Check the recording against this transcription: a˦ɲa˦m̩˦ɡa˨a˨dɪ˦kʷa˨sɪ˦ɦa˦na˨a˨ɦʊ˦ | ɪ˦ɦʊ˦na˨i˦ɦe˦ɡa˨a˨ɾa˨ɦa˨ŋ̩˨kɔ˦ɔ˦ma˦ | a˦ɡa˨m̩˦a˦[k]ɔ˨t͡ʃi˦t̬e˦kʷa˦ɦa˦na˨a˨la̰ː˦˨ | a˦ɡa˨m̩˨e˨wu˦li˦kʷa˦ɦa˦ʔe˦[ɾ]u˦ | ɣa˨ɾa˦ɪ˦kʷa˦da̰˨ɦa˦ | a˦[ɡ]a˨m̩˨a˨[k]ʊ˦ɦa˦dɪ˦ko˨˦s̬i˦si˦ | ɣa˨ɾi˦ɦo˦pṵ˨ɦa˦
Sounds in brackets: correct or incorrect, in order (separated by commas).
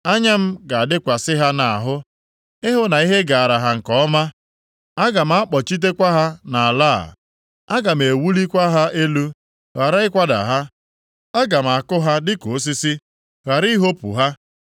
incorrect, incorrect, correct, correct